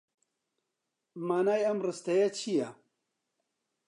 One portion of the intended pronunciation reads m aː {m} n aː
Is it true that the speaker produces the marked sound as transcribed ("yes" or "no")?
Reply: no